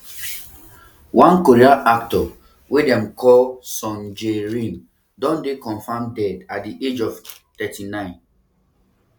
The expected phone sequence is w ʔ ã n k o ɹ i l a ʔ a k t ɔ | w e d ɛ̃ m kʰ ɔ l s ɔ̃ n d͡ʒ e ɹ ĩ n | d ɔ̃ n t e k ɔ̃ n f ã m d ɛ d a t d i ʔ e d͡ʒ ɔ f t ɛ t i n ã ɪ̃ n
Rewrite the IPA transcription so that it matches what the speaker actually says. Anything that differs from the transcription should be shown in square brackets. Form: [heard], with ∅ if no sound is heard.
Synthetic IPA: w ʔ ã n k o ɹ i [∅] a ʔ a k t ɔ | w e d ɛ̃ m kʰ ɔ l s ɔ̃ n d͡ʒ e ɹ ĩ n | d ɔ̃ n [d] e k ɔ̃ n f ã m d ɛ d a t d i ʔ e d͡ʒ ɔ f t ɛ t i n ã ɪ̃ n